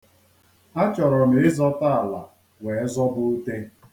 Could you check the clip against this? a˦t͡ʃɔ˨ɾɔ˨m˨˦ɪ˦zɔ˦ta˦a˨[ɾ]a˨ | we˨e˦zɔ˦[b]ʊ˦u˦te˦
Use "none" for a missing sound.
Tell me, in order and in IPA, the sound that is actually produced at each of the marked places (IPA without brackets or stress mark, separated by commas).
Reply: l, b